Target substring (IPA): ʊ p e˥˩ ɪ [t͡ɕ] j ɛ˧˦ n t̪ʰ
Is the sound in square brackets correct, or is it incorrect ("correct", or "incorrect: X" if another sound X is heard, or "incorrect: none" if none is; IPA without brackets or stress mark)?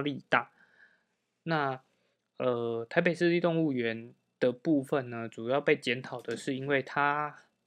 correct